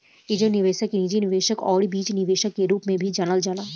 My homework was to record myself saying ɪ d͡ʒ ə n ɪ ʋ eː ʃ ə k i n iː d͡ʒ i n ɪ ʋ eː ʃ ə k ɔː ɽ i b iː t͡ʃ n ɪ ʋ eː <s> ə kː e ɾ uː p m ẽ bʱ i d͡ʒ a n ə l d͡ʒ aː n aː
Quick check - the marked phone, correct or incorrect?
incorrect